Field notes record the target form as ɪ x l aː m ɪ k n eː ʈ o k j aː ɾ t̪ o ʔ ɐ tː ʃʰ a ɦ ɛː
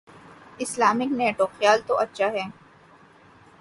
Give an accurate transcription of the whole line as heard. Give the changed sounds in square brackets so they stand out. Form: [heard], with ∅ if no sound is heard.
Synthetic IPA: ɪ [s] l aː m ɪ k n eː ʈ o [x] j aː [l] t̪ o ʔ ɐ tː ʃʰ a ɦ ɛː